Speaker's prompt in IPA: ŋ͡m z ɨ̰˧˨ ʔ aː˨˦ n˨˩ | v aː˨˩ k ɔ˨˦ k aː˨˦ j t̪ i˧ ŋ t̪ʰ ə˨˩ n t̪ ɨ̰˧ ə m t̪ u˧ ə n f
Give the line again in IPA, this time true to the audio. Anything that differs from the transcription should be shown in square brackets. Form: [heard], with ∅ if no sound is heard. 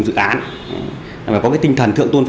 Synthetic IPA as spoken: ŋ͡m z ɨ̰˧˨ ʔ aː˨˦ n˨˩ | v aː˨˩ k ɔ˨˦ k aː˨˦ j t̪ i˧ ŋ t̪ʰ ə˨˩ n t̪ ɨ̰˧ ə [ŋ] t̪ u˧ ə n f